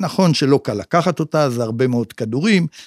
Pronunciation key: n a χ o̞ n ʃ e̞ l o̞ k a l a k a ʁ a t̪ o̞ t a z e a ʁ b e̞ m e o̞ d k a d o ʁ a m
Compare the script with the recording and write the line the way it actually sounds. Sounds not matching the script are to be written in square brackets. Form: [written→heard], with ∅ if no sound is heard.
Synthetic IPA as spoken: n a χ o̞ n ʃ e̞ l o̞ k a l a k a [ʁ→χ] a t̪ o̞ t a z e a ʁ b e̞ m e o̞ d k a d [o→u] ʁ [a→i] m

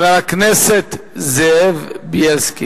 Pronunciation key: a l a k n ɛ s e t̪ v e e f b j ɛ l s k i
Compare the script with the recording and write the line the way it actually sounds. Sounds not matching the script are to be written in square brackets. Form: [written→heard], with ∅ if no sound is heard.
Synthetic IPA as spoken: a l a k n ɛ s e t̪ [v→z] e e [f→v] b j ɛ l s k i

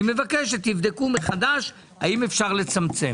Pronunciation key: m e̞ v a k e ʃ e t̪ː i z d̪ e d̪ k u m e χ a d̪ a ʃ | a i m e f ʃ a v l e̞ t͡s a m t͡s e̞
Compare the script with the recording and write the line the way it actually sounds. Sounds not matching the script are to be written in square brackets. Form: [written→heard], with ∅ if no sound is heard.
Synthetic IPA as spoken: m e̞ v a k e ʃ e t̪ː i [z→v] d̪ e [d̪→∅] k u m e χ a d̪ a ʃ | a i m e f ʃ a [v→ʁ] l e̞ t͡s a m t͡s e̞

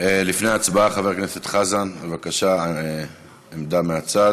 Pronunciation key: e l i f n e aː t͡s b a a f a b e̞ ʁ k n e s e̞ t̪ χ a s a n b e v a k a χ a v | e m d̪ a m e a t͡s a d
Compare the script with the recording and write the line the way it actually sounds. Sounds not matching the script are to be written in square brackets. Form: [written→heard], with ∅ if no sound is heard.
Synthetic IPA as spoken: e l i f n e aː t͡s b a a [f→χ] a [b→v] e̞ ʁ k n e s e̞ t̪ χ a [s→z] a n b e v a k a [χ→ʃ] a [v→∅] | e m d̪ a m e a t͡s a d

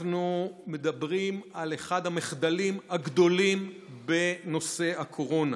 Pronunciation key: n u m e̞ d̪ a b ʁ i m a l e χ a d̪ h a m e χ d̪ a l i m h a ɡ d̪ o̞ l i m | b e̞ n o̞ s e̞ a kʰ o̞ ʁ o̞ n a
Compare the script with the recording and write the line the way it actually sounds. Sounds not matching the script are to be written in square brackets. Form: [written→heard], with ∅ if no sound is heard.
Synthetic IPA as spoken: n u m e̞ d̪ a b ʁ i m a l e χ a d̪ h a m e χ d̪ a l i m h a ɡ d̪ o̞ l i m | b e̞ n o̞ s e̞ a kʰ o̞ ʁ o̞ n a

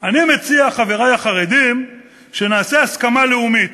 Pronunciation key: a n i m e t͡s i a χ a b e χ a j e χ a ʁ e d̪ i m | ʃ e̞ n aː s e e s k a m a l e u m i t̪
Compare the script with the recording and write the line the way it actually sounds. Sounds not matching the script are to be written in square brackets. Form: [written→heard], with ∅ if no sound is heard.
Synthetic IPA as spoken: a n i m e t͡s i a χ a [b→v] e [χ→ʁ] a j [e→a] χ a ʁ e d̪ i m | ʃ e̞ n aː s e [e→a] s k a m a l e u m i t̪

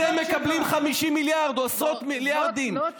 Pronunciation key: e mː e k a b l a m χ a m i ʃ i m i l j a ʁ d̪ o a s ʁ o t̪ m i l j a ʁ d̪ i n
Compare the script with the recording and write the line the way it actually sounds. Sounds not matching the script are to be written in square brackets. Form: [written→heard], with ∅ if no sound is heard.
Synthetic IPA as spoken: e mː e k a b l [a→i] m χ a m i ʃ i m i l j a ʁ d̪ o a s ʁ o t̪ m i l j a ʁ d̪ i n

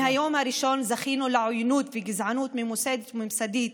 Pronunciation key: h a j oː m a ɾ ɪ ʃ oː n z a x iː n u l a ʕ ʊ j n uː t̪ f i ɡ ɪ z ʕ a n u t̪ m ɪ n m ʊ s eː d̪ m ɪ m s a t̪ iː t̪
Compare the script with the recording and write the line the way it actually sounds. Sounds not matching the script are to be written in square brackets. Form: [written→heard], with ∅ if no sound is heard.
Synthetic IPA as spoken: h a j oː m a ɾ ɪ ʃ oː n z a x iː n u l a ʕ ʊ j n uː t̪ f i ɡ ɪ z ʕ a n [u→uː] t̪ m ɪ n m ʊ s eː d̪ m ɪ m s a [t̪→d̪] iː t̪

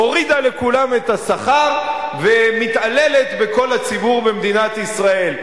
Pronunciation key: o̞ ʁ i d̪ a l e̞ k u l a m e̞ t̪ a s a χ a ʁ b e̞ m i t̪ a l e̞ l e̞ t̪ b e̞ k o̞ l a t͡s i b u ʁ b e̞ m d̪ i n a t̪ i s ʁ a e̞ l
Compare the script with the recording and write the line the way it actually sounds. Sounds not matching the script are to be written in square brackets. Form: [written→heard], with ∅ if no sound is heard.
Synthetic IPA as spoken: o̞ ʁ i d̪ a l e̞ k u l a m e̞ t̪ a s a χ a ʁ [b→v] e̞ m i t̪ a l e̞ l e̞ t̪ b e̞ k o̞ l a t͡s i b u ʁ b e̞ m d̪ i n a t̪ i s ʁ a e̞ l

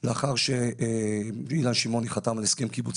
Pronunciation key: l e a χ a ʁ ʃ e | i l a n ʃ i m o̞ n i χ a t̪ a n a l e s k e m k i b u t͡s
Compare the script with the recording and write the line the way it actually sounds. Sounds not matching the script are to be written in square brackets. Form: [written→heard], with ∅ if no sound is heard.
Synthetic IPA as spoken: l e a χ a ʁ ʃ e | i l a n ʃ i m o̞ n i χ a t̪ a [n→m] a l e s k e m k i b u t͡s

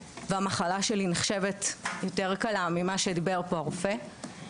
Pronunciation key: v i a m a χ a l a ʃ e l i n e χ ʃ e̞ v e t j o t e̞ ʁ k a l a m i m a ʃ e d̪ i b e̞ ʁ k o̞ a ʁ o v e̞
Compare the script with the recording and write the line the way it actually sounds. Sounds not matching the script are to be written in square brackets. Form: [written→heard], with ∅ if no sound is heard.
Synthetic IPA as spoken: v [i→e] a m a χ a l a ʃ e l i n e χ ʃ e̞ v e t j o t e̞ ʁ k a l a m i m a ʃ e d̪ i b e̞ ʁ [k→p] o̞ a ʁ o [v→f] e̞

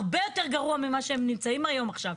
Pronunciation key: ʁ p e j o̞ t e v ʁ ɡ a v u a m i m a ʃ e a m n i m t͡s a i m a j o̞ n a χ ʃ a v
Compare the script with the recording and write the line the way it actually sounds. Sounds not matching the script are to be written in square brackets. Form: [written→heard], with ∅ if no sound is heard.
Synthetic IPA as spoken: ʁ [p→b] e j o̞ t e [v→∅] ʁ ɡ a [v→ʁ] u a m i m a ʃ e [a→e] m n i m t͡s a i m a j o̞ [n→m] a χ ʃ a v

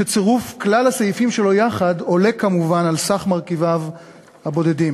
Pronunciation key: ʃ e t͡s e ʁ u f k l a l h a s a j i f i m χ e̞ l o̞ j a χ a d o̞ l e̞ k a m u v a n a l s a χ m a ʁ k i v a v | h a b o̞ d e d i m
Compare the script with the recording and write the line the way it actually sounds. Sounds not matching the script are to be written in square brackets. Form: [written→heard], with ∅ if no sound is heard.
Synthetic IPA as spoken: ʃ e t͡s e ʁ u f k l a l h a s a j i f i m [χ→ʃ] e̞ l o̞ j a χ a d o̞ l e̞ k a m u v a n a l s a χ m a ʁ k i v a v | h a b o̞ d e d i m

